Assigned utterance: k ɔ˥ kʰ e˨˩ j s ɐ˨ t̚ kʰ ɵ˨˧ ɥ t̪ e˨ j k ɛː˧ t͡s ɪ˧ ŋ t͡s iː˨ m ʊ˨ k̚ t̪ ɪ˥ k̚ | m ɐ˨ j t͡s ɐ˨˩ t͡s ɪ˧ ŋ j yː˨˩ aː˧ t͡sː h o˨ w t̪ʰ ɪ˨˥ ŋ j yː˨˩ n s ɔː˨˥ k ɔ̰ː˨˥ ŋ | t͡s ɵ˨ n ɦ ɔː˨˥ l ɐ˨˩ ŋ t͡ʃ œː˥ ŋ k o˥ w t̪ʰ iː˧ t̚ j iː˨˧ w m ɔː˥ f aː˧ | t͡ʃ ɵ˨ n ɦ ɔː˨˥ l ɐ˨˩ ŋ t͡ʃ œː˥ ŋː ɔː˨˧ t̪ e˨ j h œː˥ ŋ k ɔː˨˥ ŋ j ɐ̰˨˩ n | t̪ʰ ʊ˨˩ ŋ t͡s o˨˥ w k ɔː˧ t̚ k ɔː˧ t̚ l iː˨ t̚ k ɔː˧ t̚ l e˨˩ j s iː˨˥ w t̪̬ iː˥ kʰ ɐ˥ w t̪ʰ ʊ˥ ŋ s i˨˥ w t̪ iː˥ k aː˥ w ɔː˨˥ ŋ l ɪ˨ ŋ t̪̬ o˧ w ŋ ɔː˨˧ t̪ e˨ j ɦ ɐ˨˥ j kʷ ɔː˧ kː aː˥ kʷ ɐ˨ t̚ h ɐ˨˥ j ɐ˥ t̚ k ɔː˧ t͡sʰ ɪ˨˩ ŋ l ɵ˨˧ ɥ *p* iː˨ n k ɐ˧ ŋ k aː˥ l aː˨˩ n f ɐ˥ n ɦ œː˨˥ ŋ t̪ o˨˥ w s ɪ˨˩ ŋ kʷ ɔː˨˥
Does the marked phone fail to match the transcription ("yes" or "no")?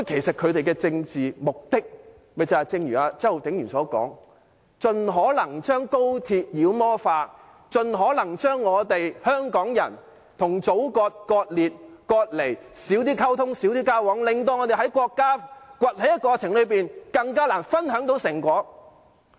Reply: no